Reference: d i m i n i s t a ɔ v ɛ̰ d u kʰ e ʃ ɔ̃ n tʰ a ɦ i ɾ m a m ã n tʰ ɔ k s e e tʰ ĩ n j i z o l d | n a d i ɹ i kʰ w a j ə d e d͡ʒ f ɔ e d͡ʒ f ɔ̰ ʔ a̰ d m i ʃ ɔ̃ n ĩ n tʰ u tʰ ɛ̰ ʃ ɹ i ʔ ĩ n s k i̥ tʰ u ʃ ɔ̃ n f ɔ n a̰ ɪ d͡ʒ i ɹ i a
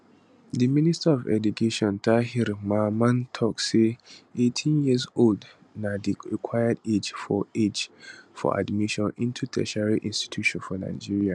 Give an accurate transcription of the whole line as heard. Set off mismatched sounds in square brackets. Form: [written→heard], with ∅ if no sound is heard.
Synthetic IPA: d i m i n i s t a ɔ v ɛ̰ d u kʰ e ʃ ɔ̃ n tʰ a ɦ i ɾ m a m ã n tʰ ɔ k s e e tʰ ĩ n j i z o l d | n a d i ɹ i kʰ w a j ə d e d͡ʒ f ɔ e d͡ʒ f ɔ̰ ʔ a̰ d m i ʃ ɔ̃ n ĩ n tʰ u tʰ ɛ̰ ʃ ɹ i ʔ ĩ n s [k→t] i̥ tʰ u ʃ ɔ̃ n f ɔ n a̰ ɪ d͡ʒ i ɹ i a